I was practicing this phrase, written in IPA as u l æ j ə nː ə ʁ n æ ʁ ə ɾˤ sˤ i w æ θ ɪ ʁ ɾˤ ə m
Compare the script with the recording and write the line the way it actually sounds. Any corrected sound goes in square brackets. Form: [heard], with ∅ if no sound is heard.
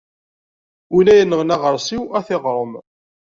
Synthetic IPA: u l æ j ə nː ə ʁ n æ ʁ ə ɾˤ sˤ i w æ θ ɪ ʁ ɾˤ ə m